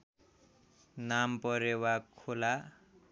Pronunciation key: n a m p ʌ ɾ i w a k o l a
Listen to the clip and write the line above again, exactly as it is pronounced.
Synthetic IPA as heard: n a m p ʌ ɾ e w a kʰ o l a

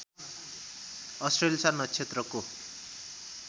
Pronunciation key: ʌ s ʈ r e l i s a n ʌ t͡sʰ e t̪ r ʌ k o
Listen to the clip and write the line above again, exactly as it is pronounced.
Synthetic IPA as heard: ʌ s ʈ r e l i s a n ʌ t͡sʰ e t̪ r ʌ k o

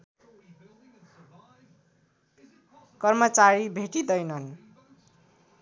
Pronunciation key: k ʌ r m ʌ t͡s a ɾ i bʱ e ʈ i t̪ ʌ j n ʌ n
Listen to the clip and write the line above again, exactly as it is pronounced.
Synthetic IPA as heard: k ʌ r m ʌ t͡s a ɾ i bʱ e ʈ i d̪ ʌ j n ʌ n

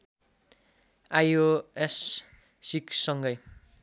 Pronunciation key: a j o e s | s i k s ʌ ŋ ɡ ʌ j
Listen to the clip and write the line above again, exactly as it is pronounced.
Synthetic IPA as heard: a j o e s | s i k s ʌ ŋ ɡ ʌ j

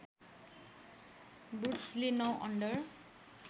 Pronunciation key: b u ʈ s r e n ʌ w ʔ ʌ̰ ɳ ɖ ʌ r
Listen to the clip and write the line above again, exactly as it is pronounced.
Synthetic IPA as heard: b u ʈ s l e n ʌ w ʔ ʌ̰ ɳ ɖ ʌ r

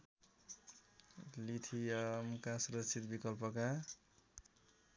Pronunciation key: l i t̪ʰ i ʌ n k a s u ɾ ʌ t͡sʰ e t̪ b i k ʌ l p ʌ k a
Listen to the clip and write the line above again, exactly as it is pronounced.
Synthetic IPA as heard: l i t̪ʰ i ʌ m k a s u ɾ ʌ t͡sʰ i t̪ b i k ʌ l p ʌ k a

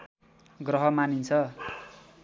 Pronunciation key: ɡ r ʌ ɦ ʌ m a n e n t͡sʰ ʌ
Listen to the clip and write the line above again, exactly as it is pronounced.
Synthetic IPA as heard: ɡ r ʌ ɦ ʌ m a n i n t͡sʰ ʌ

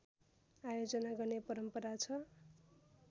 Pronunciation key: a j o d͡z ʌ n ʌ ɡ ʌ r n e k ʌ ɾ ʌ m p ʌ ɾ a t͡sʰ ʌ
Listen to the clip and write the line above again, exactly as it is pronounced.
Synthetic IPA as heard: a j o d͡z ʌ n a ɡ ʌ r n e p ʌ ɾ ʌ m p ʌ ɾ a t͡sʰ ʌ

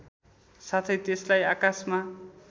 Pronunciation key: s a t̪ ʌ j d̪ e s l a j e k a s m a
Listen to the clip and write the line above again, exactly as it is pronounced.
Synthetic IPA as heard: s a t̪ʰ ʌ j t̪ e s l a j a k a s m a

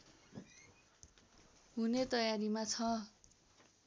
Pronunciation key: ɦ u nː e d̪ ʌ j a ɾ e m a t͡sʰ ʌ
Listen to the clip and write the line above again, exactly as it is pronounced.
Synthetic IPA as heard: ɦ u n e t̪ ʌ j a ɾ i m a t͡sʰ ʌ

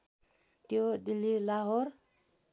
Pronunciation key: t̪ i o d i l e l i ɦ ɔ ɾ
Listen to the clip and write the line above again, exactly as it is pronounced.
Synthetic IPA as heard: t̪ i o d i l i l a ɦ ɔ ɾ

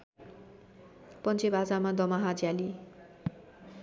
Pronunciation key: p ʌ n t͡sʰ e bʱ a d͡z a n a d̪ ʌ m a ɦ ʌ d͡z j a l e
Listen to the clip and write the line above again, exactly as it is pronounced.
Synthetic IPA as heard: p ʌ n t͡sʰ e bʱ a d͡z a m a d̪ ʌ m a ɦ a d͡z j a l i

